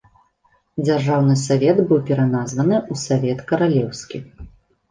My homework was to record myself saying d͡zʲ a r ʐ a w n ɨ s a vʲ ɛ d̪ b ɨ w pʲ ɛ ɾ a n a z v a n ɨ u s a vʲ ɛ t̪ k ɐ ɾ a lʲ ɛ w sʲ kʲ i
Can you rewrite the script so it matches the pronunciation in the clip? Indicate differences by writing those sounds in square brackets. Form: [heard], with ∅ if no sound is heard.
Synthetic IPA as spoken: d͡zʲ a r ʐ a w n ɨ s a vʲ ɛ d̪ b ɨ w pʲ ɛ ɾ a n a z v [ɐ] n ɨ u s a vʲ ɛ t̪ k ɐ ɾ a lʲ ɛ w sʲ kʲ i